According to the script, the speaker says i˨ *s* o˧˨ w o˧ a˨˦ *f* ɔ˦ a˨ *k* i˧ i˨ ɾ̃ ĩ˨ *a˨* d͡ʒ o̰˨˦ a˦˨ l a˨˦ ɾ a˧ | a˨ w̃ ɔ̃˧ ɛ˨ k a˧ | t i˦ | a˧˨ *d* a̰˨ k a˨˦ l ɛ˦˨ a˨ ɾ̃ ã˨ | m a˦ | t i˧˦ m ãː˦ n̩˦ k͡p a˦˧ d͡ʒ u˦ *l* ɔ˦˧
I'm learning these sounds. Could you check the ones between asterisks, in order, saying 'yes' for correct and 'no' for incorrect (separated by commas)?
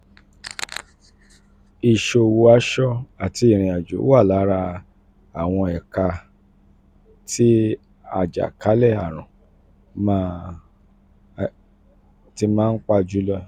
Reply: no, no, no, yes, no, yes